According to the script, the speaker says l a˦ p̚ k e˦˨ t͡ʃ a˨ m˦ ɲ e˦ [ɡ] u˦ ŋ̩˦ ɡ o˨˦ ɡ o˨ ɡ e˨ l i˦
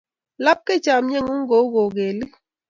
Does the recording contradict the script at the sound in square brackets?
yes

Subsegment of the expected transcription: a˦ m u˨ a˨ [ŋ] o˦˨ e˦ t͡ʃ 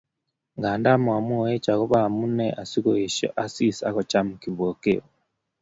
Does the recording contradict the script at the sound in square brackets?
yes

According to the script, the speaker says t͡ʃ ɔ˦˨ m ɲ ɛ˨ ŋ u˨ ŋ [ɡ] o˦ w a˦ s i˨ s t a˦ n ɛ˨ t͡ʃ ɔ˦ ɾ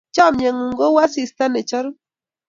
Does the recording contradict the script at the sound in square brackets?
no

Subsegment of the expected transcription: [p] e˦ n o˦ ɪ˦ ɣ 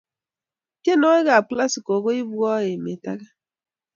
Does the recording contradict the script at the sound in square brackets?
yes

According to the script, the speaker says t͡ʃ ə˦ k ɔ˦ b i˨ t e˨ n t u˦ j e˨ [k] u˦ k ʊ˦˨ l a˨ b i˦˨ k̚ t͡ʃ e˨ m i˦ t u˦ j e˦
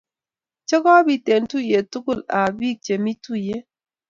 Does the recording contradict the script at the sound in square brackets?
yes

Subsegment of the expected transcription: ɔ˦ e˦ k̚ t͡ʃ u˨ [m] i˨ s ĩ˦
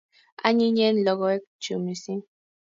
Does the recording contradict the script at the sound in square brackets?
no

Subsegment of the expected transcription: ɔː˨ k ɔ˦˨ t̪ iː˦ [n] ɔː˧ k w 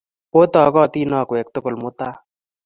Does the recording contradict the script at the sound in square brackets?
no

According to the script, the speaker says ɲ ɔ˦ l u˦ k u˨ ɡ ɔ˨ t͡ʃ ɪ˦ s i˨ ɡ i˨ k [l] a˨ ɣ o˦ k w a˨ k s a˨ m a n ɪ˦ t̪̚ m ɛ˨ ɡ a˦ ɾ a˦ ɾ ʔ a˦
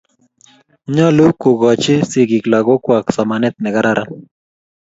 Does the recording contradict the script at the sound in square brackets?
no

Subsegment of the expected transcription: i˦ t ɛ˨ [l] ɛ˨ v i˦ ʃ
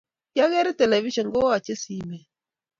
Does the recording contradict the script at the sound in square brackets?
no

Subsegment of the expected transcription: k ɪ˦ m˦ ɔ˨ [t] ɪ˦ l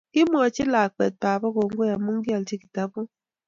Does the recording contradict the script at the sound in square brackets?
yes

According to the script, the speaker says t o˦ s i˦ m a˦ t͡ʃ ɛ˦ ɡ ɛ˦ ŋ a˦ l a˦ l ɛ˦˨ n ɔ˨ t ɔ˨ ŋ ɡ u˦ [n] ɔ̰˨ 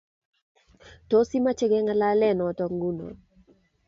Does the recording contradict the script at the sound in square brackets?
no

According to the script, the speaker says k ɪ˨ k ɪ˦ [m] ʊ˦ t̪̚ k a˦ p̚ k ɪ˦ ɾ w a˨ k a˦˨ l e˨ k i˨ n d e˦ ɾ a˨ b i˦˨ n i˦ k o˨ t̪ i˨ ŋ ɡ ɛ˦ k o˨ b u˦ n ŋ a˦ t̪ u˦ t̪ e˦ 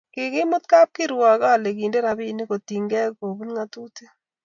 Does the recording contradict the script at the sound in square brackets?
no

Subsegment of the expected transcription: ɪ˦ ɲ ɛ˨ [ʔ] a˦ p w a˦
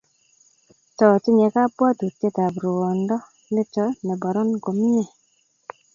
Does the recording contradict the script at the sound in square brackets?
yes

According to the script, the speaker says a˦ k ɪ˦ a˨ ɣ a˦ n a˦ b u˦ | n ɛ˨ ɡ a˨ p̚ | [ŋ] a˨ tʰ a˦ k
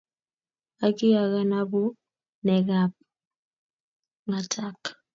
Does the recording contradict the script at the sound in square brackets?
no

